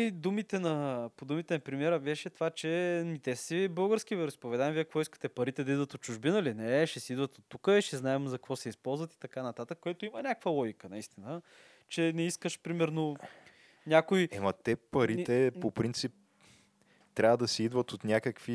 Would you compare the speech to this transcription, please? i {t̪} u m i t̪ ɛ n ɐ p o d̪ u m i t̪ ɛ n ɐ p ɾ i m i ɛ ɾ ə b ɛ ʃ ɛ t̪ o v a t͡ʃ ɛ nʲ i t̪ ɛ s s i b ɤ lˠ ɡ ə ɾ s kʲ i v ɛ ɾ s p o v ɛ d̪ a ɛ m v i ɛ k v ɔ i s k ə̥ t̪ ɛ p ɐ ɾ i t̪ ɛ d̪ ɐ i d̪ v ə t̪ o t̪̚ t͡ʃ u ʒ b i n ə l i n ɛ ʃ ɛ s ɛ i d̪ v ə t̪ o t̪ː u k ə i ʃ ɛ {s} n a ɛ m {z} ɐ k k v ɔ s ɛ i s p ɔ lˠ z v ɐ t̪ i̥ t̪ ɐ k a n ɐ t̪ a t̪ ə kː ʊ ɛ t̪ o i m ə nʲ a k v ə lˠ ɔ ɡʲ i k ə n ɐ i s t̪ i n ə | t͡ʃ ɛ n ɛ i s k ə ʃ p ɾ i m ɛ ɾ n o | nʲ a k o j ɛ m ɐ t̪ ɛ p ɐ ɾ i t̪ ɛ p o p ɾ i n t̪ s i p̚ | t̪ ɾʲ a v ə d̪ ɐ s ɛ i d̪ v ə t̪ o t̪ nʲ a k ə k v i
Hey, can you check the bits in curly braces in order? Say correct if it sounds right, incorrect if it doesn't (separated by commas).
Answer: incorrect, incorrect, correct